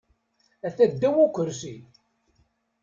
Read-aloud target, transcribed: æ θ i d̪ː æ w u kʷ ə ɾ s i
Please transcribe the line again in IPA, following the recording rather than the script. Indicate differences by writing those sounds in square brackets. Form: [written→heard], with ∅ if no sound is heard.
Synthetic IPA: æ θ [i→æ] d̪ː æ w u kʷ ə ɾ s i